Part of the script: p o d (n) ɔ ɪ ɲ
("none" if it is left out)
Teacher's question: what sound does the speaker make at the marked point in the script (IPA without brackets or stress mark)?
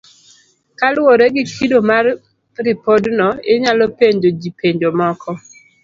n